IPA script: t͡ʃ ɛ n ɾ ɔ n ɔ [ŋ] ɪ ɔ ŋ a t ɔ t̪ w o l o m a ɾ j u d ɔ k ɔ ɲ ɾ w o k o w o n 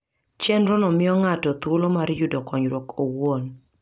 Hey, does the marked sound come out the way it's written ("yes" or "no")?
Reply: no